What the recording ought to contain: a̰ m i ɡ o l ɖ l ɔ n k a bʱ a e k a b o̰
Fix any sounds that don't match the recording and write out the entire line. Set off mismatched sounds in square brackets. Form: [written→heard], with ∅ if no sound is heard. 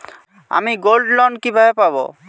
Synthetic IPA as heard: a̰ m i ɡ o l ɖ l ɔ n k [a→i] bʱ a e [k→p] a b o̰